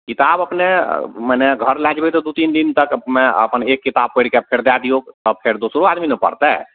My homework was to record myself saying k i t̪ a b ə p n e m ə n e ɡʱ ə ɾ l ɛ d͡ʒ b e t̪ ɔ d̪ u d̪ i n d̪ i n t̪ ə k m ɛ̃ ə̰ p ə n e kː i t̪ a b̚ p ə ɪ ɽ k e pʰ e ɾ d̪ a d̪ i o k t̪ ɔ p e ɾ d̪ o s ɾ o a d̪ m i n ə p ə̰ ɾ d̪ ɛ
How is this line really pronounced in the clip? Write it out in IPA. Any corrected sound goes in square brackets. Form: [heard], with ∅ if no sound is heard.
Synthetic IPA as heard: k i t̪ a b ə p n e m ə n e ɡʱ ə ɾ l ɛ d͡ʒ b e t̪ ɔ d̪ u [t̪] i n d̪ i n t̪ ə k m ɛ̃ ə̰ p ə n e kː i t̪ a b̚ p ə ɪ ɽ k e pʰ e ɾ d̪ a d̪ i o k t̪ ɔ [pʰ] e ɾ d̪ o s ɾ o a d̪ m i n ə p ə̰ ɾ [t̪] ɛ